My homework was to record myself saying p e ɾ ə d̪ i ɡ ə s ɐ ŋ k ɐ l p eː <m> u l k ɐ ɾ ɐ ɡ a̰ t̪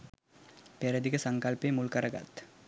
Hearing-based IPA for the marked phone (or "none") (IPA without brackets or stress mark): m